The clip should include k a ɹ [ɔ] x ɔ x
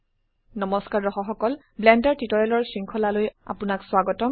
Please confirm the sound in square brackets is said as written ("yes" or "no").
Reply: yes